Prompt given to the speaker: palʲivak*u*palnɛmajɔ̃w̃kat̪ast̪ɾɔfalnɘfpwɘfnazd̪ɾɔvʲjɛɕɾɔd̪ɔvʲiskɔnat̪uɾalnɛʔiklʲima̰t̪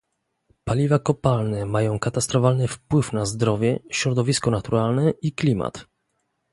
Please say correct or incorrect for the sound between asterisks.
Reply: incorrect